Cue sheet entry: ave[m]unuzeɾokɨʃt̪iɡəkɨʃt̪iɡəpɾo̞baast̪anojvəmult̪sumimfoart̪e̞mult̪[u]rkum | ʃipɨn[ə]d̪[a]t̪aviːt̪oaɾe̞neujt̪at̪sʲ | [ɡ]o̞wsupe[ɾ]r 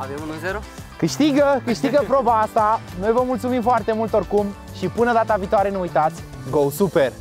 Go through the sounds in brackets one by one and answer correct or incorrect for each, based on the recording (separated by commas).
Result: correct, incorrect, correct, correct, correct, incorrect